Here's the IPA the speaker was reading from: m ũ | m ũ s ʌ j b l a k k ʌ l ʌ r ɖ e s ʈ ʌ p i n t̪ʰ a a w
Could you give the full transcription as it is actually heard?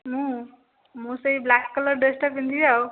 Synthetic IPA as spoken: m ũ | m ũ s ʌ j b l a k k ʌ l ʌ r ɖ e s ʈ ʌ p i n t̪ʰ i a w